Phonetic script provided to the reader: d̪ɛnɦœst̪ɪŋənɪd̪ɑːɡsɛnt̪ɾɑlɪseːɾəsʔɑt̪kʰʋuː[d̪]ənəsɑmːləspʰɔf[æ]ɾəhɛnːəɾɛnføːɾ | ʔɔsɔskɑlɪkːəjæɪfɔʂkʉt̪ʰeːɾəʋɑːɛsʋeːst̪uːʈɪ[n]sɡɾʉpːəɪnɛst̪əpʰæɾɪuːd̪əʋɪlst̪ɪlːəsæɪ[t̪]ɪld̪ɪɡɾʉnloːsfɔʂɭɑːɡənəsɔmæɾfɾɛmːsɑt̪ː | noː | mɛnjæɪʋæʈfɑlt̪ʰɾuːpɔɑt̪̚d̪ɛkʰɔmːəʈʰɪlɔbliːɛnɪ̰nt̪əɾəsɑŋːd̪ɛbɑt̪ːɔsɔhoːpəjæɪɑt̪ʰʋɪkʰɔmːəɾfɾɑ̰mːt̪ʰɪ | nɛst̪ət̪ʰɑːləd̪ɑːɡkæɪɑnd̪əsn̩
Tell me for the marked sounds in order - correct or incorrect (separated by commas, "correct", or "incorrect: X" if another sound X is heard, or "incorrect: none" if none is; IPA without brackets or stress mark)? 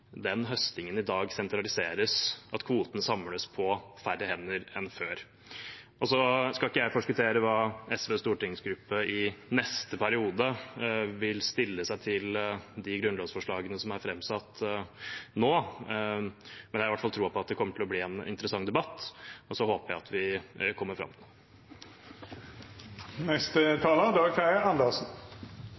incorrect: t̪, correct, incorrect: ŋ, incorrect: t̪ʰ